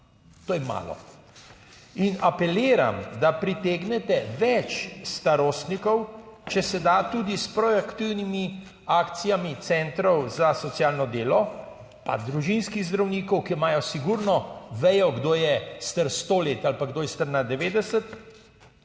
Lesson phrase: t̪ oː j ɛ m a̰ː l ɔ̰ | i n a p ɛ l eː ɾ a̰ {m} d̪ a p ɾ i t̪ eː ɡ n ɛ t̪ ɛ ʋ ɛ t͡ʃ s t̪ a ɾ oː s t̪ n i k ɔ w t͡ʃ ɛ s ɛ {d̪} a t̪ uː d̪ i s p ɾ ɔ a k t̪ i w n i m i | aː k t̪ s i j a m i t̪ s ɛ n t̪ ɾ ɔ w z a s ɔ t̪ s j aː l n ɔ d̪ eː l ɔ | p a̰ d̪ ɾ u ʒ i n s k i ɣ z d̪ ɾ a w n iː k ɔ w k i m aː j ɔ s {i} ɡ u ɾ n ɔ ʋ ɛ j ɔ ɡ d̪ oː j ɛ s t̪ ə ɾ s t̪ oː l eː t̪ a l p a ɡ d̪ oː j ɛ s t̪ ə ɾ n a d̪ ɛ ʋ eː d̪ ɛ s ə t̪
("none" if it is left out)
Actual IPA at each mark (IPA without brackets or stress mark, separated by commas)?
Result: m, d̪, i